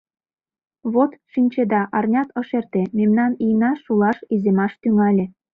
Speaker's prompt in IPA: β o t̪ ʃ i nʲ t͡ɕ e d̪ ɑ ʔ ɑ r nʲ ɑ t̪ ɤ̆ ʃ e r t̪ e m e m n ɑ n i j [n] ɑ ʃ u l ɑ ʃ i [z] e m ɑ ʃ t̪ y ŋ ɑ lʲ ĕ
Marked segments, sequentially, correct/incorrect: correct, correct

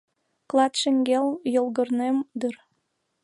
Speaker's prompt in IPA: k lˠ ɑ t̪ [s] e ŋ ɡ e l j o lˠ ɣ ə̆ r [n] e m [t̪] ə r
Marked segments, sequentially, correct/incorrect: incorrect: ʃ, correct, incorrect: d̪

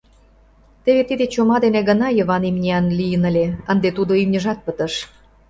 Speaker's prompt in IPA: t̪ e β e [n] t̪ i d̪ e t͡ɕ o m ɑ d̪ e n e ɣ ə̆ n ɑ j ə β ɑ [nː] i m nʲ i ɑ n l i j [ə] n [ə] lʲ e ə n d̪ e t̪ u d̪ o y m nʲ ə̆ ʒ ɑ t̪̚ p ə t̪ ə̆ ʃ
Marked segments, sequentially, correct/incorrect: incorrect: none, incorrect: n, correct, correct

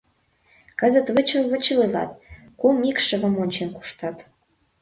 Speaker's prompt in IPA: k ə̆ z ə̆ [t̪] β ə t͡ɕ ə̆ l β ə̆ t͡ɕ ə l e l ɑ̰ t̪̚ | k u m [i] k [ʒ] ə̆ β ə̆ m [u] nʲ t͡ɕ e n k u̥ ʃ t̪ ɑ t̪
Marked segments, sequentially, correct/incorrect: correct, correct, incorrect: ʃ, incorrect: o

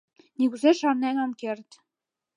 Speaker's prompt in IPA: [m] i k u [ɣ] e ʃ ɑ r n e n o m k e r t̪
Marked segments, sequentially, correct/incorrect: incorrect: n, incorrect: z

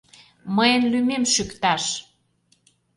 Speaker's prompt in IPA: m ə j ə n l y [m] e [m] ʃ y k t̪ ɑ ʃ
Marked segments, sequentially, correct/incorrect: correct, correct

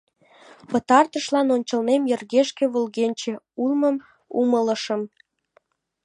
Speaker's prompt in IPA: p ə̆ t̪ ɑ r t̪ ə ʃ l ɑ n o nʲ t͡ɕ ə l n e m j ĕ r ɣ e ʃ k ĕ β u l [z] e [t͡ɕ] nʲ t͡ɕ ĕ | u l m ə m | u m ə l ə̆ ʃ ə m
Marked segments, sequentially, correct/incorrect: incorrect: ɣ, incorrect: none

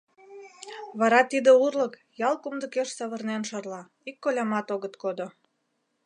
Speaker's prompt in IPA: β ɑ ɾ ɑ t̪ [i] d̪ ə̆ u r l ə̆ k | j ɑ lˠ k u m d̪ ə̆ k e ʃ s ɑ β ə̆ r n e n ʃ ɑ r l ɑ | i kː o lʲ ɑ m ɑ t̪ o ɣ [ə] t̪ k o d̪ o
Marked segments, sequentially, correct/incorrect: correct, correct

